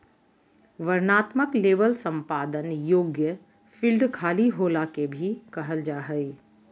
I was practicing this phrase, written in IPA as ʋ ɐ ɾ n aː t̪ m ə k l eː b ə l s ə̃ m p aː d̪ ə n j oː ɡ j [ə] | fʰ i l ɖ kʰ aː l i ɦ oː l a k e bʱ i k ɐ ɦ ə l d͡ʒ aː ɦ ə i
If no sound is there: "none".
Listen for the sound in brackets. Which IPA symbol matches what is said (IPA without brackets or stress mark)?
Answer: ə